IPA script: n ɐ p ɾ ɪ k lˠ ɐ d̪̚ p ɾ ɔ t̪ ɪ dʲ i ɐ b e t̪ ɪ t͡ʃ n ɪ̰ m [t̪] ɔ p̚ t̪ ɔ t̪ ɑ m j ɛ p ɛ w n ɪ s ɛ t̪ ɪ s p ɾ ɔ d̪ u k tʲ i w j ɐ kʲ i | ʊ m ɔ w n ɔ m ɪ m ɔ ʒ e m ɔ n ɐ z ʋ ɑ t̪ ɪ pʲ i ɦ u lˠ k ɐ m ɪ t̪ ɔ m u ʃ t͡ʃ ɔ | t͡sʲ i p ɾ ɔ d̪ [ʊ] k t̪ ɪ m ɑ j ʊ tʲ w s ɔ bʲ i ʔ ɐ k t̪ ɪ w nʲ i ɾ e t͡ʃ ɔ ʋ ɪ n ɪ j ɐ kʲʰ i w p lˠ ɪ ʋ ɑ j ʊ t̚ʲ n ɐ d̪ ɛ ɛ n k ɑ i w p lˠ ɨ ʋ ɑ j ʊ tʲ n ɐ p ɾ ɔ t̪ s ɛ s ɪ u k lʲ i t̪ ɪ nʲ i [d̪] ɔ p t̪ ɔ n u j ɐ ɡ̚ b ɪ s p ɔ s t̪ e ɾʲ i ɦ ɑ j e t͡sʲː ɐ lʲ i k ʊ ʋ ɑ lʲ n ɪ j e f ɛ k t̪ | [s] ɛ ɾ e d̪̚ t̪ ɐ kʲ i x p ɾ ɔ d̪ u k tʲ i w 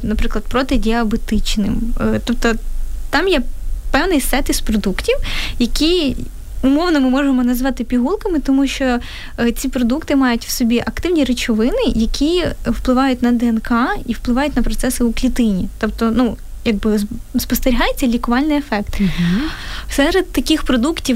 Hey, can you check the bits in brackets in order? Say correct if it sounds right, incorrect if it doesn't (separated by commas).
correct, incorrect, incorrect, correct